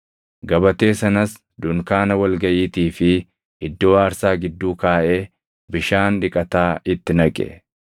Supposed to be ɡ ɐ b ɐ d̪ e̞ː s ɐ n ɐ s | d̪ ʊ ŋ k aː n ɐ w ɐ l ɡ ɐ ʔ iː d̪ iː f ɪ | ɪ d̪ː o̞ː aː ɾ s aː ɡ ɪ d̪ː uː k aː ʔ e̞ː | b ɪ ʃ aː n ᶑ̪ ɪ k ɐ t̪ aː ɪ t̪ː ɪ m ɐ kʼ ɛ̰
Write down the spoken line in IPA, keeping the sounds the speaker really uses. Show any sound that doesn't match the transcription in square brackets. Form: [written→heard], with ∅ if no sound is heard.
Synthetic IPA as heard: ɡ ɐ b ɐ [d̪→t̪] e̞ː s ɐ n ɐ s | d̪ ʊ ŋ k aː n ɐ w ɐ l ɡ ɐ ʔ iː [d̪→t̪] iː f ɪ | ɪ d̪ː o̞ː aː ɾ s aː ɡ ɪ d̪ː uː k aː ʔ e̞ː | b ɪ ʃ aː n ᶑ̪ ɪ [k→kʼ] ɐ t̪ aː ɪ t̪ː ɪ [m→n] ɐ kʼ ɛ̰